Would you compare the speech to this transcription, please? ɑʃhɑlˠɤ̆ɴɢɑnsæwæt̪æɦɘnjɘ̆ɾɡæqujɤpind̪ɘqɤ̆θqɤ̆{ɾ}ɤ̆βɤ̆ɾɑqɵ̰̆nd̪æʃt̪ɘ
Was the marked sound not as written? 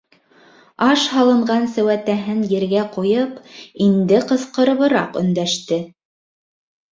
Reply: no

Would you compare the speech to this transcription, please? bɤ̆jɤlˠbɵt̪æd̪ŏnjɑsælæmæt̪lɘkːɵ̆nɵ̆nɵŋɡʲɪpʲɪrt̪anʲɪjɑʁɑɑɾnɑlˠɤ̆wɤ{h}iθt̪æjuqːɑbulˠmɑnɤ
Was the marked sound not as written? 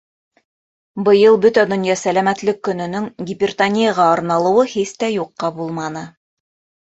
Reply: no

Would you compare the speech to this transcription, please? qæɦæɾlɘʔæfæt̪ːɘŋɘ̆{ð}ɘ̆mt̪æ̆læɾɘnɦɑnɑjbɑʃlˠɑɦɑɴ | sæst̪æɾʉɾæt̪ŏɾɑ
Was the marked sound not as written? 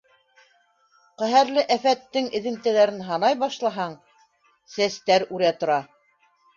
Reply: no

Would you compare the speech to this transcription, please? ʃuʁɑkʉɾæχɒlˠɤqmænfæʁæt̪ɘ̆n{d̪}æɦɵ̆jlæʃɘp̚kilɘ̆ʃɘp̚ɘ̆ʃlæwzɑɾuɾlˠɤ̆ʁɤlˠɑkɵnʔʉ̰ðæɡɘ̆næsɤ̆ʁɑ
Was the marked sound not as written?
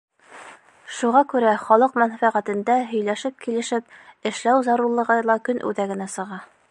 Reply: no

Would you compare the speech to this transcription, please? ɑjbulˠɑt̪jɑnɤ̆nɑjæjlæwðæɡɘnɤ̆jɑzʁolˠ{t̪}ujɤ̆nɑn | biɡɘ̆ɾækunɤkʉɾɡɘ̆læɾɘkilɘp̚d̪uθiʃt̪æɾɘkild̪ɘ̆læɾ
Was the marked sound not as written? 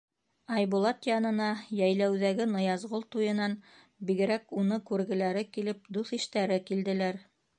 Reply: no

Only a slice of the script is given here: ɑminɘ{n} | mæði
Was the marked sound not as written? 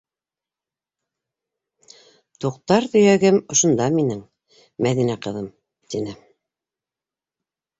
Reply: yes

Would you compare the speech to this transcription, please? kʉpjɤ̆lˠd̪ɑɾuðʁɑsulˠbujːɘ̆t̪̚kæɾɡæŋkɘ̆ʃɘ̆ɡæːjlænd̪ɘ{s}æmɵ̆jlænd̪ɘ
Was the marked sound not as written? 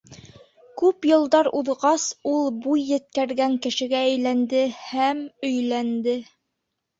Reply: yes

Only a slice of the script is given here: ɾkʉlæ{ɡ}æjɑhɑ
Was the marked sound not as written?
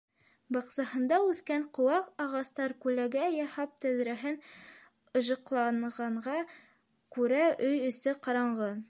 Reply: no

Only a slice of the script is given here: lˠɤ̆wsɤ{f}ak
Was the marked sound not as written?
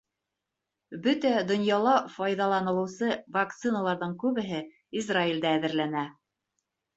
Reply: yes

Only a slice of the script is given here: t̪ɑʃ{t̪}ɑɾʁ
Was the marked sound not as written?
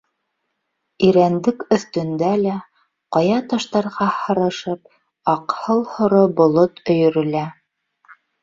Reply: no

